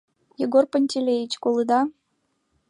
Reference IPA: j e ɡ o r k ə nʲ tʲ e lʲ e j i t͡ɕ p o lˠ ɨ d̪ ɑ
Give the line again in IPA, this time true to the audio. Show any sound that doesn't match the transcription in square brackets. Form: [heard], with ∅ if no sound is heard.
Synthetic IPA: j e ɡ o r [p] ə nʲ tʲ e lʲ e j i t͡ɕ [k] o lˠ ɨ d̪ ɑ